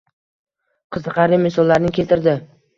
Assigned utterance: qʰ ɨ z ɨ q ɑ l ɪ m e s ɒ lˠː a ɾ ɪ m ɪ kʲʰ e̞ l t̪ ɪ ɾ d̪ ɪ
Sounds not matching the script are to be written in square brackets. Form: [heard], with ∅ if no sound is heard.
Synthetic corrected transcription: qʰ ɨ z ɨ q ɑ [ɾ] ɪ m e s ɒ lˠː a ɾ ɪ [n] ɪ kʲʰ e̞ l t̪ ɪ ɾ d̪ ɪ